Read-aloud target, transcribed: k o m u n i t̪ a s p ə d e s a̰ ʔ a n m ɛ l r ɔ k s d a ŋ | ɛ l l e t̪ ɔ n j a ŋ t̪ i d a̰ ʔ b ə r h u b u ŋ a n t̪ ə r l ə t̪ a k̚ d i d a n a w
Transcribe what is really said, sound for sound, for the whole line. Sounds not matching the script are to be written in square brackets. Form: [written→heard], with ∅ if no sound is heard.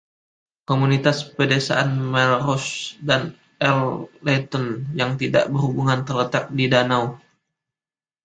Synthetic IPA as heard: k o m u n i t̪ a s p ə d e s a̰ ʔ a n m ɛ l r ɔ [k→∅] s d a [ŋ→n] | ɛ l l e t̪ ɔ n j a ŋ t̪ i d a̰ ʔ b ə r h u b u ŋ a n t̪ ə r l ə t̪ a k̚ d i d a n a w

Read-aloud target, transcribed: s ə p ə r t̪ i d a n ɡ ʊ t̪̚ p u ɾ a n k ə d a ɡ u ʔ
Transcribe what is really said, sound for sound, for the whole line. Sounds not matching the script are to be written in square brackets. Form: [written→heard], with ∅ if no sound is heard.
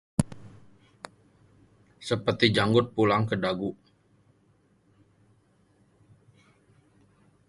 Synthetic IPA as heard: s ə p ə r t̪ i [d→d͡ʒ] a [n→ŋ] ɡ ʊ t̪̚ p u [ɾ→l] a [n→ŋ] k ə d a ɡ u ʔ

